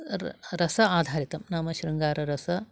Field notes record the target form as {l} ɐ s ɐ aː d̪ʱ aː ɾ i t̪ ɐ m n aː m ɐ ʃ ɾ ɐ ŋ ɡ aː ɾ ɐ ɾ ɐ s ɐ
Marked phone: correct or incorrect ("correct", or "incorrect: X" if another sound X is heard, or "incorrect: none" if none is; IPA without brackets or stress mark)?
incorrect: ɾ